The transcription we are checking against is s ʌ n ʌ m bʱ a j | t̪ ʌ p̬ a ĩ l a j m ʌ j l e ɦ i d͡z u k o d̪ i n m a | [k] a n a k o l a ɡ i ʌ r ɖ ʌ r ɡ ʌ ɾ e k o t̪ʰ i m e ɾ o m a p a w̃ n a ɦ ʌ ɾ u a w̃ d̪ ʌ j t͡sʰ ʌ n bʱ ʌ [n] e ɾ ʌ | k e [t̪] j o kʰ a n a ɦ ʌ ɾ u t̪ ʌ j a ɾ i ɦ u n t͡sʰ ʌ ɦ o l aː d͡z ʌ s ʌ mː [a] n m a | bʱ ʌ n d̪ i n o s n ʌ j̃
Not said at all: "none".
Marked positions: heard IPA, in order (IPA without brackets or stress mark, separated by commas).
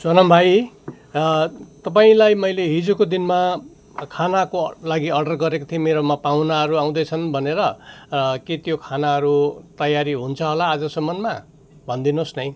kʰ, n, t̪, ʌ